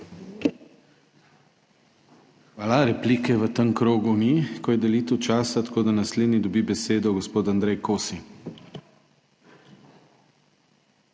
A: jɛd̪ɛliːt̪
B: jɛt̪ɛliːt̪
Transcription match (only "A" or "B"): A